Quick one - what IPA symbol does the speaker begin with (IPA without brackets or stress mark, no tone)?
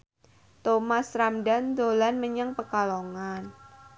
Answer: t̪